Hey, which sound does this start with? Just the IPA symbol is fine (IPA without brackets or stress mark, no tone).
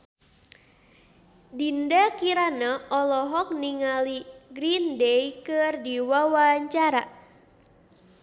d